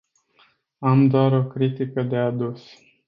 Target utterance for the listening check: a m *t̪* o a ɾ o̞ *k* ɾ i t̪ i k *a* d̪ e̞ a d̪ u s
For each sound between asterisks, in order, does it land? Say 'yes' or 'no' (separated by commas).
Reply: no, yes, no